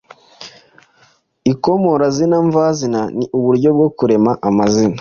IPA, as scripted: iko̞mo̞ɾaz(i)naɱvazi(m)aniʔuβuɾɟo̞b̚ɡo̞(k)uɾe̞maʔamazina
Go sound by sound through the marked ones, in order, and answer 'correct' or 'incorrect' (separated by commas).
correct, incorrect, correct